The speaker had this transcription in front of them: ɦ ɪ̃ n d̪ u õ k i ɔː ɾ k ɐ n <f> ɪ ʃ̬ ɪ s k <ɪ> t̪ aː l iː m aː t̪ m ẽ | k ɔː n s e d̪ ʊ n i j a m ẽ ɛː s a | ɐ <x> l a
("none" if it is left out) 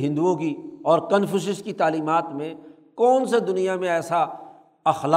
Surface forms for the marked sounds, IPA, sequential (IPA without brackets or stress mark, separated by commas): f, i, x